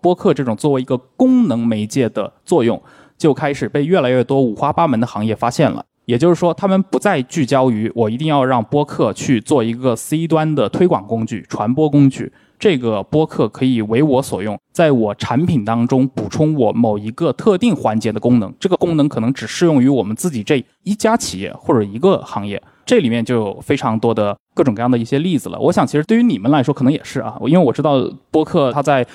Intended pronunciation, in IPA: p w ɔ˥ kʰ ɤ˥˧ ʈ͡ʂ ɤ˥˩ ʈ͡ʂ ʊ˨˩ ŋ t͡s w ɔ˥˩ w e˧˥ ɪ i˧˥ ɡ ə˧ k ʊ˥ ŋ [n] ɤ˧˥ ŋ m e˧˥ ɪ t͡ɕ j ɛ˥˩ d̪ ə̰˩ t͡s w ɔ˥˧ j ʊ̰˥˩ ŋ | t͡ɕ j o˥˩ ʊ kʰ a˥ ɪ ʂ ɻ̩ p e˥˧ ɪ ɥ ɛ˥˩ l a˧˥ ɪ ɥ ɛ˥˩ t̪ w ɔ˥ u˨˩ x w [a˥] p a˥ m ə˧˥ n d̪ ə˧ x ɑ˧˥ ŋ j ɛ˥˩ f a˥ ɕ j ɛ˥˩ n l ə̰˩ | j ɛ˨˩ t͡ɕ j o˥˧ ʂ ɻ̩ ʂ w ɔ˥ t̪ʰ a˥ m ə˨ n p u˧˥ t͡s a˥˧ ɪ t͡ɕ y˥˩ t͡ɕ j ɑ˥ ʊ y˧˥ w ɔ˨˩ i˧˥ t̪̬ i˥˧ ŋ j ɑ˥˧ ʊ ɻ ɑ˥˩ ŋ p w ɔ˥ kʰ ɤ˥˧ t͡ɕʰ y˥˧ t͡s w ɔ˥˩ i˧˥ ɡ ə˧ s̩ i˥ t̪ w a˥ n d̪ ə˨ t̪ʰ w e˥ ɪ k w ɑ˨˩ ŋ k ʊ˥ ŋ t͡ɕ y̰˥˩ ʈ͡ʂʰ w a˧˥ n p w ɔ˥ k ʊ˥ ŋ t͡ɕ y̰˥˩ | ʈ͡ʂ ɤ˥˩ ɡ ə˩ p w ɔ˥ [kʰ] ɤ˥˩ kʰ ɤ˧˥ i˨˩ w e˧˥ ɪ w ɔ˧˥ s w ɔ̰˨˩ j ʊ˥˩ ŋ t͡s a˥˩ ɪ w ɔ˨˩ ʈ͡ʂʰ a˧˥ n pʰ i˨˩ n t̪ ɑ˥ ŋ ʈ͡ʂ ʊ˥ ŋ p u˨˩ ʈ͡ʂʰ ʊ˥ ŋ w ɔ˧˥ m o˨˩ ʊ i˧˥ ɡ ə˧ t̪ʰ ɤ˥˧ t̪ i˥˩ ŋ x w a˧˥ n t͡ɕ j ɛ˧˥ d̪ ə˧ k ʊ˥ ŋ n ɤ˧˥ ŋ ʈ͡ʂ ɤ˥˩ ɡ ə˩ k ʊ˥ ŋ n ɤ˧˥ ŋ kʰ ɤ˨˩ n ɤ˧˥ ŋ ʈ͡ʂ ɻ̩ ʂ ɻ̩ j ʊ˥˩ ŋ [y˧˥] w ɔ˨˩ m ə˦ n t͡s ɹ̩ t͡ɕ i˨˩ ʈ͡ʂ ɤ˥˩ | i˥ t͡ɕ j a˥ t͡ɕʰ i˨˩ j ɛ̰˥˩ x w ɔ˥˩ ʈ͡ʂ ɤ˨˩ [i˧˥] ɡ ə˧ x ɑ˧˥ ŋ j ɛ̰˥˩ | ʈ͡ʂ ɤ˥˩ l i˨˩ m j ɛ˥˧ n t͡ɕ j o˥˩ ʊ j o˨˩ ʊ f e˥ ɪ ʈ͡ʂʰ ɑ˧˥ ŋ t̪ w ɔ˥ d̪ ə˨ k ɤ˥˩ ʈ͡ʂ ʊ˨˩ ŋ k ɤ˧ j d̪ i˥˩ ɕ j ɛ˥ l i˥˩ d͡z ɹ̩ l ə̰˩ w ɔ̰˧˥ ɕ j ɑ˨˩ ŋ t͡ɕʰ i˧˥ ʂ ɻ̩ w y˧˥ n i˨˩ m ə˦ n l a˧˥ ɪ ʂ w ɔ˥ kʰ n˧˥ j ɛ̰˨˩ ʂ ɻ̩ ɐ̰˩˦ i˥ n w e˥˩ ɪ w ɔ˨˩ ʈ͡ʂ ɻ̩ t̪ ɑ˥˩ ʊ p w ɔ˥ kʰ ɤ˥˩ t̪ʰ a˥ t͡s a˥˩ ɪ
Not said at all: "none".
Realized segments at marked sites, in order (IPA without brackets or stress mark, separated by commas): n, a˥, kʰ, y˧˥, i˧˥